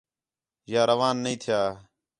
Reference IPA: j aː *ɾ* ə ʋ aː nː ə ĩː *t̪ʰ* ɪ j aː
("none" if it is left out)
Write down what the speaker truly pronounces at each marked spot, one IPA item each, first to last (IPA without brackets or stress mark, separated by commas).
ɾ, t̪ʰ